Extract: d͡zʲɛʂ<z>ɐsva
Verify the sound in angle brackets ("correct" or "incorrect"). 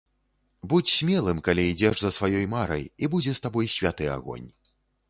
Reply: correct